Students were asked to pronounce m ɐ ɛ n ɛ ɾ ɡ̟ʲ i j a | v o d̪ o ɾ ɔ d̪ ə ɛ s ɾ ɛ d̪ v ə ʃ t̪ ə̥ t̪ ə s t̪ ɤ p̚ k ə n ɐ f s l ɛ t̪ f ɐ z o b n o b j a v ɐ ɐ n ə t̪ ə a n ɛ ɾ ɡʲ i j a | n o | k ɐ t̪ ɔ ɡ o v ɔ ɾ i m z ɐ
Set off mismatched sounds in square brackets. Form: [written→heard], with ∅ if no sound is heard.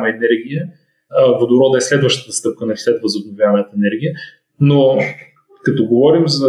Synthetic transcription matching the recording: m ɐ ɛ n ɛ ɾ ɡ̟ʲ i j [a→ə] | v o d̪ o ɾ ɔ d̪ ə ɛ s [ɾ→l] ɛ d̪ v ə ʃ t̪ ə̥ t̪ ə s t̪ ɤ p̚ k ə n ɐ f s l ɛ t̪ [f→v] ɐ z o b n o [b→v] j a v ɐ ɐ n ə t̪ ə [a→ɛ] n ɛ ɾ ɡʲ i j [a→ə] | n o | k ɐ t̪ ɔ ɡ o v ɔ ɾ i m z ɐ